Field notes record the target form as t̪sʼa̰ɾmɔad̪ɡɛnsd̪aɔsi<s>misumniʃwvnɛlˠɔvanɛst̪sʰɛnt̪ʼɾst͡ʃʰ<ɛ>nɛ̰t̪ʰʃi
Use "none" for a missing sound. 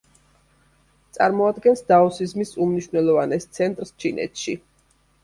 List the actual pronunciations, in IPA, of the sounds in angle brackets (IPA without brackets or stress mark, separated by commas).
z, i